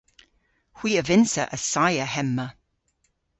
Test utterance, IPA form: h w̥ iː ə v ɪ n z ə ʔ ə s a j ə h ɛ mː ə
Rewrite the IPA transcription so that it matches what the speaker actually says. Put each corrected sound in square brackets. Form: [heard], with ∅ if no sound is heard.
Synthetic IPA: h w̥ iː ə v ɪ n [s] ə ʔ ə s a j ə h ɛ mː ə